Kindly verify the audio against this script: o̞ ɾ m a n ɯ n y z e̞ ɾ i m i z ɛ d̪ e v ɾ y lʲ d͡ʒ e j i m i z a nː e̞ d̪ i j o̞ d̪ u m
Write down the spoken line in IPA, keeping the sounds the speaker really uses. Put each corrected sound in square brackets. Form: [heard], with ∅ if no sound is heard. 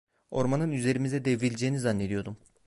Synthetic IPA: o̞ ɾ m a n ɯ n y z e̞ ɾ i m i z ɛ d̪ e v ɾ [i] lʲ d͡ʒ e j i [n] i z a nː e̞ d̪ i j o̞ d̪ u m